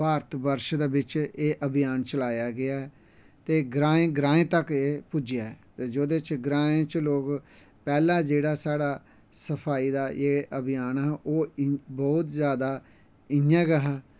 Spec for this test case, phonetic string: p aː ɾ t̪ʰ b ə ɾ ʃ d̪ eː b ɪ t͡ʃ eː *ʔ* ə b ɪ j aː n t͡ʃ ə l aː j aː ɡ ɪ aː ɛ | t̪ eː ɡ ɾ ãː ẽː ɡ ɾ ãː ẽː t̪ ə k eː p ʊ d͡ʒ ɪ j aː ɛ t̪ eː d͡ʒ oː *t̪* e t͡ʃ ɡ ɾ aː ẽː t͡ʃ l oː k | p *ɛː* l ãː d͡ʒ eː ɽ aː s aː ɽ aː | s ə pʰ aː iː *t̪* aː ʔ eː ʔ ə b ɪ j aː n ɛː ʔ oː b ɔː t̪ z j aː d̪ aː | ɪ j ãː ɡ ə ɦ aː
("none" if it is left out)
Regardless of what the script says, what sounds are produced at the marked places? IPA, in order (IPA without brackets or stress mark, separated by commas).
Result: ʔ, d̪, ɛː, d̪